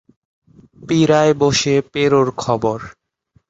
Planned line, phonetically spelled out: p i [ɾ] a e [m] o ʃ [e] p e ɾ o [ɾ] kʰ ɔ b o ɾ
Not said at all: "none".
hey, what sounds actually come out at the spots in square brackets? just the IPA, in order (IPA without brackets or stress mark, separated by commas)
ɾ, b, e, ɾ